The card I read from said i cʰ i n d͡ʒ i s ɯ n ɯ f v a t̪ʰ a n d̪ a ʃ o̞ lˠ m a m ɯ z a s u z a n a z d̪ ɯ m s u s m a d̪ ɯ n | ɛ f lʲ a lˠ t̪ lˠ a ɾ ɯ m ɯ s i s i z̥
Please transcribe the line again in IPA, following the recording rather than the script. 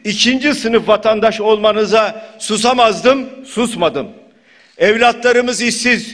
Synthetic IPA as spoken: i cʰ i n d͡ʒ i s ɯ n ɯ f v a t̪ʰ a n d̪ a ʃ o̞ lˠ m a n ɯ z a s u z a m a z d̪ ɯ m s u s m a d̪ ɯ m | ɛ v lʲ a t̪ lˠ a ɾ ɯ m ɯ z i s i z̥